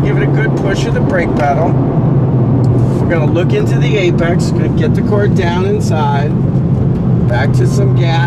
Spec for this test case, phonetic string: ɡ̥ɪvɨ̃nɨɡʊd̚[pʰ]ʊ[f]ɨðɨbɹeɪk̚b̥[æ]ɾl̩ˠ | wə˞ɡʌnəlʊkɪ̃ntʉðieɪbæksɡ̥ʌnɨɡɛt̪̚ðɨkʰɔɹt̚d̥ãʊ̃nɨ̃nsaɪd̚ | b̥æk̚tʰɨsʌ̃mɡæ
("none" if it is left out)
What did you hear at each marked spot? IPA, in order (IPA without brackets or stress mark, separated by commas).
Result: pʰ, ʃ, æ